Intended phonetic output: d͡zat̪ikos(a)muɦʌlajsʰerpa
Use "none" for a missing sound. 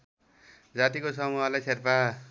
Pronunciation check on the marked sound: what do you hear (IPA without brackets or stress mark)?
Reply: ʌ